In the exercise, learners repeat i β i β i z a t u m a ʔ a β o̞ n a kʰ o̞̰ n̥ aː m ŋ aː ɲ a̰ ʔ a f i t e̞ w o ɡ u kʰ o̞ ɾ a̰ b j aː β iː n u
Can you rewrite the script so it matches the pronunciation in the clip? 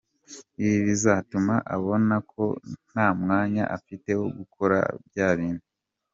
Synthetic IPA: i β i β i z a t u m a ʔ a β o̞ n a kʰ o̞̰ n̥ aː m ŋ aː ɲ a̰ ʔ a f i t e̞ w o ɡ u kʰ o̞ ɾ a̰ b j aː β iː n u